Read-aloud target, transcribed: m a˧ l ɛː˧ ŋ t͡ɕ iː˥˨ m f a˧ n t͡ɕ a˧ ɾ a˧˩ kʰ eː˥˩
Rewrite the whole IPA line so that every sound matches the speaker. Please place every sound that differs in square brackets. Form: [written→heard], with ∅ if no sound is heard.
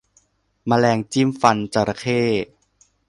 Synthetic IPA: m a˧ l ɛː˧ ŋ t͡ɕ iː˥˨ m f a˧ n t͡ɕ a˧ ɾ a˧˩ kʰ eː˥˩